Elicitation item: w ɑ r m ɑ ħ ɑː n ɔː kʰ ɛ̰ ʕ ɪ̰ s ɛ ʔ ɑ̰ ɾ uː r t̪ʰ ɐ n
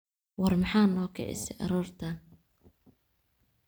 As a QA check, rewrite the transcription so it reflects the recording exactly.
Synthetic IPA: w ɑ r m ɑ ħ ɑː n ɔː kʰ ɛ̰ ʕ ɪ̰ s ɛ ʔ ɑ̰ ɾ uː r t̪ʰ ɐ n